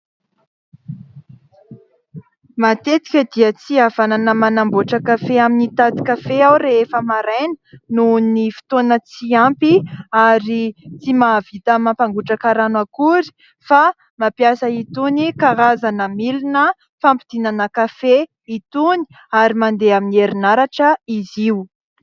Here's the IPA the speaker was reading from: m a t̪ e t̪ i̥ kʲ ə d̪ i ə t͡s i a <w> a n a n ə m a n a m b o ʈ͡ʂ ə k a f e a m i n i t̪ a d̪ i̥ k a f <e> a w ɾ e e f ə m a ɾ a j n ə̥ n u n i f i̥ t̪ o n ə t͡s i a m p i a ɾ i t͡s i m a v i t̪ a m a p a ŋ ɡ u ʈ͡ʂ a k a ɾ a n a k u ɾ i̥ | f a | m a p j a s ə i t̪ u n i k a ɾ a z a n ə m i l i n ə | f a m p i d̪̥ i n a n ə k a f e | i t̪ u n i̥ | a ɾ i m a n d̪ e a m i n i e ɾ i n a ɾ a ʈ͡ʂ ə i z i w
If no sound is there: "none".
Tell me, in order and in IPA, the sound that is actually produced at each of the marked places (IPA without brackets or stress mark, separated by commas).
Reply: v, e